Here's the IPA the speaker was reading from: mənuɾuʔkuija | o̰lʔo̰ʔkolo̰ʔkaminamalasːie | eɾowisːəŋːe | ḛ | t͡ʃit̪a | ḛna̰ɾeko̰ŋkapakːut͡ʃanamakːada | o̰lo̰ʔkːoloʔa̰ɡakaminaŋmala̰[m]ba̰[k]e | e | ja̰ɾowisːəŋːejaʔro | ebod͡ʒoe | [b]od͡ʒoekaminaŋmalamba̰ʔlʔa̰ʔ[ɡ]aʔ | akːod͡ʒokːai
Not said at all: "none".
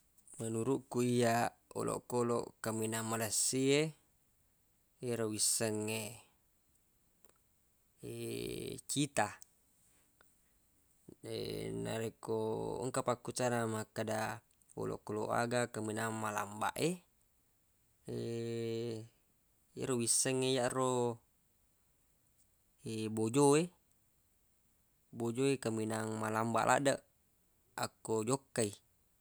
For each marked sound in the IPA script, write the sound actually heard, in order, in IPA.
m, ʔ, b, d

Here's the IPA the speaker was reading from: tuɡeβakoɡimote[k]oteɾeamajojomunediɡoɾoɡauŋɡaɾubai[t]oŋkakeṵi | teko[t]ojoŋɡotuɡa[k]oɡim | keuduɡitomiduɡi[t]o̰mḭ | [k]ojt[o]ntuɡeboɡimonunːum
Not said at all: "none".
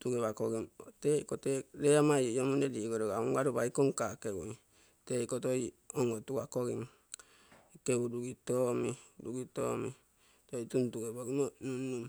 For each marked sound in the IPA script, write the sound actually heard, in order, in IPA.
k, k, t, k, t, t, u

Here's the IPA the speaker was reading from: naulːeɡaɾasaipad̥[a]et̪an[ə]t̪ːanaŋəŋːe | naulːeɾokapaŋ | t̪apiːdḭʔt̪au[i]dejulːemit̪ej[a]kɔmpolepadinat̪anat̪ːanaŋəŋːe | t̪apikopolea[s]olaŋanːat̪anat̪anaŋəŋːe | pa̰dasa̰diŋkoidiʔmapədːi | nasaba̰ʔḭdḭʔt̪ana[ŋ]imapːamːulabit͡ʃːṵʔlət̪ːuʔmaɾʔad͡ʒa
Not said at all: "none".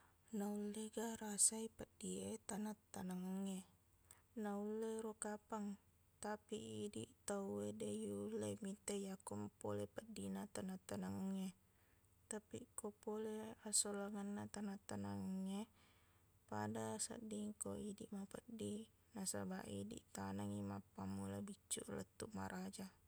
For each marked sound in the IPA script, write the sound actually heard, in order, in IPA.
i, a, e, a, s, ŋ

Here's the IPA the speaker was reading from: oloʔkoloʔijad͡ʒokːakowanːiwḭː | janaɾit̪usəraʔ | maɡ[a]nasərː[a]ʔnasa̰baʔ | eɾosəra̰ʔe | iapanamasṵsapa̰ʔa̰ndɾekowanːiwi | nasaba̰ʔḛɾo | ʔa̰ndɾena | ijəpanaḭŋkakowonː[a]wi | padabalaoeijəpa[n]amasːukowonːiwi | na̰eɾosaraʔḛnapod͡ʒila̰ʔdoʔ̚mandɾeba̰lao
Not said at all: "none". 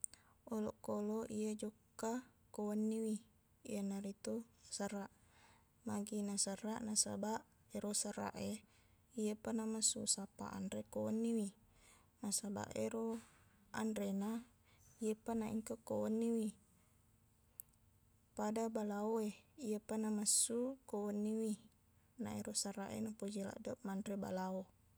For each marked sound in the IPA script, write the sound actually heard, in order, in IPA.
i, a, i, n

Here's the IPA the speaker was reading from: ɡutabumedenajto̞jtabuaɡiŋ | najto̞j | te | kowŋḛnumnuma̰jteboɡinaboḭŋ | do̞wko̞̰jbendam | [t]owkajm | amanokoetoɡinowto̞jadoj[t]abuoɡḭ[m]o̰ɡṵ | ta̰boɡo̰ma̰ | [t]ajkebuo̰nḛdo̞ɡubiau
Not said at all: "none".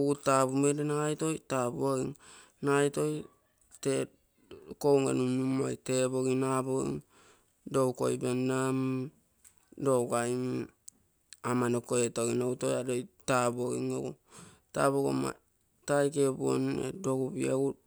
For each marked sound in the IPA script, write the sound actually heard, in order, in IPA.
d, t, ŋ, t

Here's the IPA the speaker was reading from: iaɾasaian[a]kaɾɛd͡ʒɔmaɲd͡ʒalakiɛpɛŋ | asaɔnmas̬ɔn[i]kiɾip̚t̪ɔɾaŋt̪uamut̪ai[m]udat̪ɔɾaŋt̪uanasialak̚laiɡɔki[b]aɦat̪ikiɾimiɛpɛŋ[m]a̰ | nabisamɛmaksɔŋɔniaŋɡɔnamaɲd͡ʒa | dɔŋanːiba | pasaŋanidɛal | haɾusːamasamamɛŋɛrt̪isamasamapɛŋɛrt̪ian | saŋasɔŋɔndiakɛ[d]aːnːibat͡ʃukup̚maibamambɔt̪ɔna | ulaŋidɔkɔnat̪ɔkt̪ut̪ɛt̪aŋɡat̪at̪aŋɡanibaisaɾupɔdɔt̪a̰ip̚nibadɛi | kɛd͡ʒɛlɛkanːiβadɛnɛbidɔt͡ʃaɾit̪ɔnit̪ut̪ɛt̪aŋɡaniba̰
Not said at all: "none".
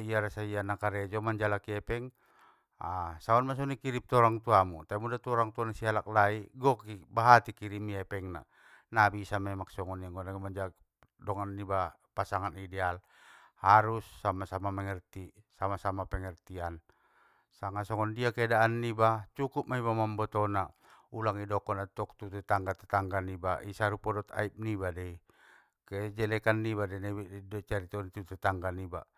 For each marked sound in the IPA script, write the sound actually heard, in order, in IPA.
a, i, m, b, n, d

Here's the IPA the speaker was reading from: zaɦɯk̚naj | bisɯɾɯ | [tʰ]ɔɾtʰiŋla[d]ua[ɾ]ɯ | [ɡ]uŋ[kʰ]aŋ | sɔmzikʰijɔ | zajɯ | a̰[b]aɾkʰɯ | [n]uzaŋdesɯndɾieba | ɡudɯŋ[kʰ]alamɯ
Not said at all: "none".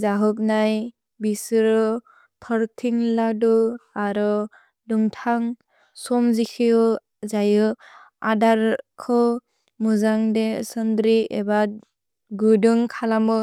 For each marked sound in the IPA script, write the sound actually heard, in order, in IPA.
tʰ, d, ɾ, d, tʰ, d, m, kʰ

